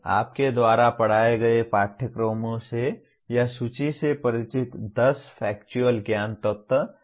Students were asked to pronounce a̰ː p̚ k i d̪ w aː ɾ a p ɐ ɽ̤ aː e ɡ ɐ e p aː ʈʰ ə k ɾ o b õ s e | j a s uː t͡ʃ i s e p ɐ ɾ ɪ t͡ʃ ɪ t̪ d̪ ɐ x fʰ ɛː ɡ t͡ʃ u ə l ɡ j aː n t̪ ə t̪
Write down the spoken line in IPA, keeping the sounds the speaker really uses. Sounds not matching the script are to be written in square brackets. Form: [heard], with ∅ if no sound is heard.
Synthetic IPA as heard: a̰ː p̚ k [e] d̪ w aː ɾ a p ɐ ɽ̤ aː e ɡ ɐ e p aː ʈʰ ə k ɾ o [m] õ s e | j a s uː t͡ʃ i s e p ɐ ɾ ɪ t͡ʃ ɪ t̪ d̪ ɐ [s] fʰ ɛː [k] t͡ʃ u ə l ɡ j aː n t̪ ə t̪

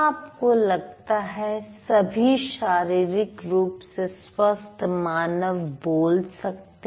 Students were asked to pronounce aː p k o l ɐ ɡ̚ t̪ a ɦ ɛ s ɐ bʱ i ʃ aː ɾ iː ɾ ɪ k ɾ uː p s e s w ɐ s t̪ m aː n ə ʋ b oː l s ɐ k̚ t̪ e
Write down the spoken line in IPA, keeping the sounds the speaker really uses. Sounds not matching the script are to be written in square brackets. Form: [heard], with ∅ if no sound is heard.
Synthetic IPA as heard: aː p k o l ɐ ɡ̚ t̪ a ɦ ɛ s ɐ bʱ i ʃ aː ɾ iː ɾ ɪ k ɾ uː p s e s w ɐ s t̪ m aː n ə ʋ b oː l s ɐ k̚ t̪ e

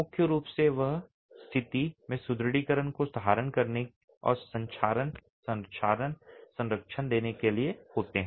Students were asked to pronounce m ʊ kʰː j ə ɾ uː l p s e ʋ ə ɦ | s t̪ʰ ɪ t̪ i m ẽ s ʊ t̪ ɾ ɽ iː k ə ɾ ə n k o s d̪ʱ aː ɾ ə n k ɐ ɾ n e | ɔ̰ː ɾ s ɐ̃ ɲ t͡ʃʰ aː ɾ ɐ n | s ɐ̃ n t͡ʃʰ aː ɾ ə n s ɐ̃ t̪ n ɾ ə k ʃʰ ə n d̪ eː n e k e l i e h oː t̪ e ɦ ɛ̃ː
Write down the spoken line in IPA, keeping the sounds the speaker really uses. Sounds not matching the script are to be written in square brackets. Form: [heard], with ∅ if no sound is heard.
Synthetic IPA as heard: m ʊ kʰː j ə ɾ uː [∅] p s e ʋ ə ɦ | s t̪ʰ ɪ t̪ i m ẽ s ʊ [d̪] ɾ ɽ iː k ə ɾ ə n k o s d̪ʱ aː ɾ ə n k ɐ ɾ n e | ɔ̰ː ɾ s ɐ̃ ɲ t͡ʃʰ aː ɾ [ə] n | s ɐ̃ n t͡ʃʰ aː ɾ ə n s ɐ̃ [∅] n ɾ ə k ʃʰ ə n d̪ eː n e k e l i e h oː t̪ e ɦ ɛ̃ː

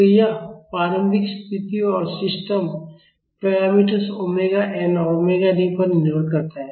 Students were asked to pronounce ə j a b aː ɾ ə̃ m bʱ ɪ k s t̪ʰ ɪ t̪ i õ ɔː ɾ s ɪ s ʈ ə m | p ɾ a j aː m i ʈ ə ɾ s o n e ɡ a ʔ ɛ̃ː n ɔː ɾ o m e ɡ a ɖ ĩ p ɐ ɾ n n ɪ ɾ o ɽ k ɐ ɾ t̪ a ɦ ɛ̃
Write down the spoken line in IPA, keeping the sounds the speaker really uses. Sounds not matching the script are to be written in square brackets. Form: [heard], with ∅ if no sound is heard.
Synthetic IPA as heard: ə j a [p] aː ɾ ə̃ m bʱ ɪ k s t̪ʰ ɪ t̪ i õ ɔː ɾ s ɪ s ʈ ə m | p ɾ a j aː m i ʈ ə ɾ s o [m] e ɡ a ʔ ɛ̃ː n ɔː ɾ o m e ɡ a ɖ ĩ p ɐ ɾ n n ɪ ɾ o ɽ k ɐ ɾ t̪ a ɦ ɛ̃

